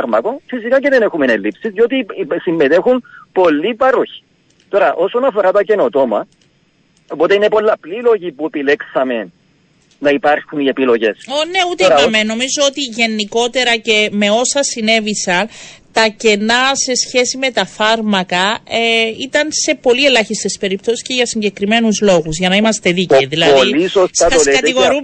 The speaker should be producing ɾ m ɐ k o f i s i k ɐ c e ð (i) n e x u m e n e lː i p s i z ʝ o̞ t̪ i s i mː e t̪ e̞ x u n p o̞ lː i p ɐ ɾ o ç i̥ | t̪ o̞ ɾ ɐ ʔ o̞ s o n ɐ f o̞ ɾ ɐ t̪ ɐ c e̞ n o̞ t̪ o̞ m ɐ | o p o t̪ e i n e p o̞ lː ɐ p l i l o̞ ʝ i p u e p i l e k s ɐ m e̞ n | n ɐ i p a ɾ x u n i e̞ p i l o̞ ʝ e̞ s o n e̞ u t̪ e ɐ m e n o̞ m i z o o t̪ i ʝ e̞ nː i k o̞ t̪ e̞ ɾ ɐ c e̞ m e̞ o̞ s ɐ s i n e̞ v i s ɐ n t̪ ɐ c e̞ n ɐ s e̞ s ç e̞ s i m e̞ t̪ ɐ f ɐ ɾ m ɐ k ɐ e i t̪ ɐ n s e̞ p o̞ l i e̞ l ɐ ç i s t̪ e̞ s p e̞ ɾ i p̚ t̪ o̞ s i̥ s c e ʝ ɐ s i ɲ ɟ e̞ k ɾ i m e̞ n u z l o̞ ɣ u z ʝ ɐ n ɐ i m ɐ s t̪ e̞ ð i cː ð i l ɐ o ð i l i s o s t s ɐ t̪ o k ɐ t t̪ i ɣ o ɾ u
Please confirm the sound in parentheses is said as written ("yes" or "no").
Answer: no